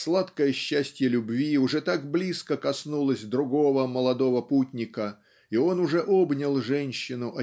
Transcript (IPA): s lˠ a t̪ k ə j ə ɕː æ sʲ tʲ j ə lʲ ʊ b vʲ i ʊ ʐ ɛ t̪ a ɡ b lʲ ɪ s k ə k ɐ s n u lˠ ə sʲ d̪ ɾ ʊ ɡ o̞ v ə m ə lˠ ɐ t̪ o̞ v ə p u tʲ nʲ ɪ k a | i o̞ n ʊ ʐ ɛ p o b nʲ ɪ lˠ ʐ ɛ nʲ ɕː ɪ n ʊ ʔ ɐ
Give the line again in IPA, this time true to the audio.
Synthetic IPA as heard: s lˠ a t̪ k ə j ə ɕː æ sʲ tʲ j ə lʲ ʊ b vʲ i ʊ ʐ ɛ t̪ a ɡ b lʲ i s k ə k ɐ s n u lˠ ə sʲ d̪ ɾ ʊ ɡ o̞ v ə m ə lˠ ɐ d̪ o̞ v ə p u tʲ nʲ ɪ k ə | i o̞ n ʊ ʐ ɛ ʔ o b nʲ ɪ lˠ ʐ ɛ nʲ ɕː ɪ n ʊ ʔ ɐ